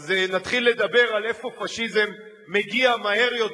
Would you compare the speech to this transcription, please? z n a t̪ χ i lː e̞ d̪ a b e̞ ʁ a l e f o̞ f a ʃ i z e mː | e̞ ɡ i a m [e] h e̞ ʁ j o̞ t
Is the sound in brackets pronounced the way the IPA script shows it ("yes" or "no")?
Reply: no